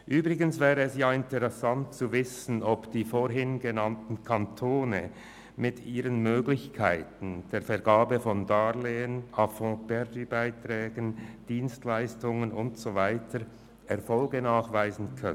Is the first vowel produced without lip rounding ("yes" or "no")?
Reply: no